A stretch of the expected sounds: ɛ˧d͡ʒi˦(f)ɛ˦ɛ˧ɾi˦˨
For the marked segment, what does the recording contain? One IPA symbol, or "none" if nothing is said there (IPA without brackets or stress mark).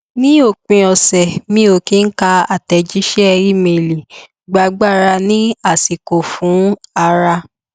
ʃ